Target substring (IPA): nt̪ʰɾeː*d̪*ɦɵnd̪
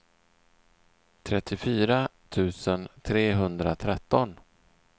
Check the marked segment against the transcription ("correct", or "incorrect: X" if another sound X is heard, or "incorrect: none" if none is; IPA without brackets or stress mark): incorrect: none